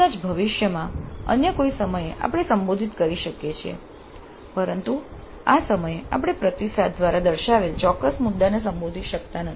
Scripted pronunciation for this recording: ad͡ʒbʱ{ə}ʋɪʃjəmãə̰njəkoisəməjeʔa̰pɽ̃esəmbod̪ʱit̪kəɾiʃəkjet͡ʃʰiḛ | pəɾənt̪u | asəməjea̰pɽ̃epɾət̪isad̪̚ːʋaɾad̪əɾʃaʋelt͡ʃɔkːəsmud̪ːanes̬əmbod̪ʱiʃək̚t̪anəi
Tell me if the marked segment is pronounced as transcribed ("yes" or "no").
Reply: yes